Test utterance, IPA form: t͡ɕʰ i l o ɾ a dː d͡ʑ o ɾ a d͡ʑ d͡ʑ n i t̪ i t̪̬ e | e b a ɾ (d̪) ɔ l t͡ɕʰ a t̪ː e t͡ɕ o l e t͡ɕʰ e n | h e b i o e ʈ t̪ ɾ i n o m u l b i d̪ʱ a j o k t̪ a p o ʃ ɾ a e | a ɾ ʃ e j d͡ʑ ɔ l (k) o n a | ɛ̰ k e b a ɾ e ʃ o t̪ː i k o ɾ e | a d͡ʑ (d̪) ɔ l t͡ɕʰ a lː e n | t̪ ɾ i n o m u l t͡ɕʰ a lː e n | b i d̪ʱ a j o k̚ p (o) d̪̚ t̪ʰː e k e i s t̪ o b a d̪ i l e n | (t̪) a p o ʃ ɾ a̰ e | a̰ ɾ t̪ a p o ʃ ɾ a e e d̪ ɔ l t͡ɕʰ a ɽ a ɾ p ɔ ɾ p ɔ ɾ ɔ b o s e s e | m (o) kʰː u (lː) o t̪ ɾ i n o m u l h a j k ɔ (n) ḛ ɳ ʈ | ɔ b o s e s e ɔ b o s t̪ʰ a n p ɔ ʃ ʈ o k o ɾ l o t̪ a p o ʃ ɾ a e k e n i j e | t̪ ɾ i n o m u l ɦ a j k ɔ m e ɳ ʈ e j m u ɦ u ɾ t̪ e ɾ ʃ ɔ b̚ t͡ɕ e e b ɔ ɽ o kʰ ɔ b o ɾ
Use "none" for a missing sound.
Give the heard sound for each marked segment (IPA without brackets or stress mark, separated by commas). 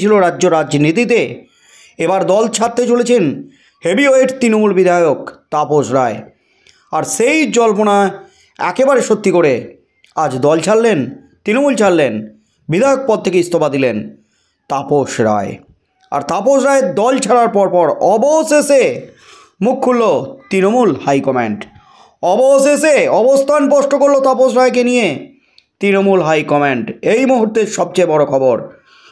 d̪, p, d̪, ɔ, t̪, u, lː, m